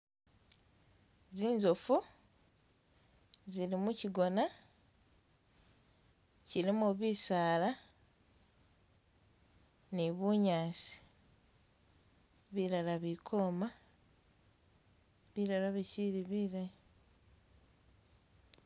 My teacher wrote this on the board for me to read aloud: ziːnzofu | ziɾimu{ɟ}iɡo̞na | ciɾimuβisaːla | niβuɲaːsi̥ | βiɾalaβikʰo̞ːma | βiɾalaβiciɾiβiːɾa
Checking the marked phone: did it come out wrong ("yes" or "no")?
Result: yes